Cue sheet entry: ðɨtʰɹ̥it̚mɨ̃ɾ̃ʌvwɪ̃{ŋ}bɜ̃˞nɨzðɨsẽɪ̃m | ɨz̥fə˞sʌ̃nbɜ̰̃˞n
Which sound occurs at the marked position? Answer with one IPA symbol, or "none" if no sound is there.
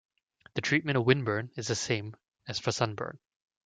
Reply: n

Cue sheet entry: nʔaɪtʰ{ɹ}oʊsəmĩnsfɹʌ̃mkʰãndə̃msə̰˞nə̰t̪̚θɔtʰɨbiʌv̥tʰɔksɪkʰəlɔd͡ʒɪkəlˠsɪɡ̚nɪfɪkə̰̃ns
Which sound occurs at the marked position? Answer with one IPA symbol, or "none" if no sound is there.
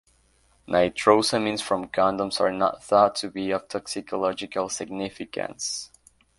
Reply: ɹ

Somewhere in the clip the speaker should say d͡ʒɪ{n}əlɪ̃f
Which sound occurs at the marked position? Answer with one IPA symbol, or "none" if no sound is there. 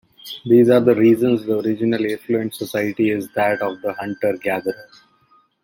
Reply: n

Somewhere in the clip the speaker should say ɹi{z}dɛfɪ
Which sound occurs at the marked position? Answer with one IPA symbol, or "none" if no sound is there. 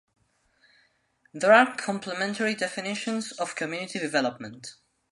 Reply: none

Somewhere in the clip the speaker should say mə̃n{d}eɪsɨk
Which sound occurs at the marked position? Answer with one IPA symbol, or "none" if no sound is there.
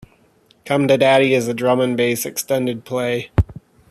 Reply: b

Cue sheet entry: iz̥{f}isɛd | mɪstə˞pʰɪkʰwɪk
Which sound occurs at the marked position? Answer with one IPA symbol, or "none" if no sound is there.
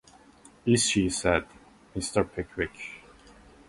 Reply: ʃ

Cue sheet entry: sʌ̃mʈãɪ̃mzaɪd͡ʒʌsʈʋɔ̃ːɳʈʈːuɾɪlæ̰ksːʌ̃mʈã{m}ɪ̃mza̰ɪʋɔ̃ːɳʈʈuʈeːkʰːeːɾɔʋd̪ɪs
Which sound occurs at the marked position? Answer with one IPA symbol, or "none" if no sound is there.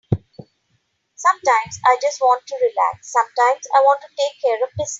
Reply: none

